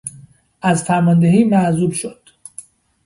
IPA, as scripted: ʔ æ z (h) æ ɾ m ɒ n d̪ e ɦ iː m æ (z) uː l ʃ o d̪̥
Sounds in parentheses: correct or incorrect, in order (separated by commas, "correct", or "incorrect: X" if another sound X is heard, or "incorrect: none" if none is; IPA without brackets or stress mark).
incorrect: f, correct